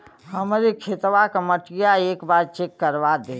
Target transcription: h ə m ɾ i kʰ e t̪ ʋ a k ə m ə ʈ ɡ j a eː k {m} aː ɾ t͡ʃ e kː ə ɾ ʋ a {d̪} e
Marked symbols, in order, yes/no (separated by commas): no, yes